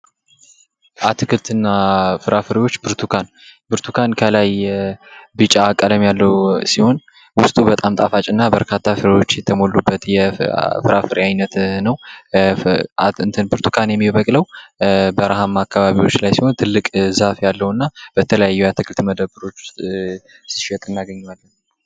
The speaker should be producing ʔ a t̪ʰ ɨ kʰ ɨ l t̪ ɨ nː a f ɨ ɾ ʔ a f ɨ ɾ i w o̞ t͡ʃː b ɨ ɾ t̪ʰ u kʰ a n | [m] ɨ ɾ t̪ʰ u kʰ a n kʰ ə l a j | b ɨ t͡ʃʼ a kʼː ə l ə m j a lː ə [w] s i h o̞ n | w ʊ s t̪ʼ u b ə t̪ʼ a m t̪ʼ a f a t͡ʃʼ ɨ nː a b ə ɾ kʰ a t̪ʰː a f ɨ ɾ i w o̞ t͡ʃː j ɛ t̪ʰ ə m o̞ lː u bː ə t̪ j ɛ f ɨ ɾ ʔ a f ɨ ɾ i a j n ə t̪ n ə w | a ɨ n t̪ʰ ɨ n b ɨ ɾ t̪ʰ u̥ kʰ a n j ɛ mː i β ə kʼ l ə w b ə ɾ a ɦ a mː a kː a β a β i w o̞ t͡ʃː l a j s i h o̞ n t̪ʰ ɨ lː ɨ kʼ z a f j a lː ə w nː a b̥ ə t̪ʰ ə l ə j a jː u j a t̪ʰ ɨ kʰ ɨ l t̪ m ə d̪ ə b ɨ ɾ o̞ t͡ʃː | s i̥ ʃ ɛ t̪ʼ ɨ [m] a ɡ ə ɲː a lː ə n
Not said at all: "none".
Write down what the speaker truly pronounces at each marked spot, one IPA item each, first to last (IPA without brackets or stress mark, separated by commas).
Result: b, w, n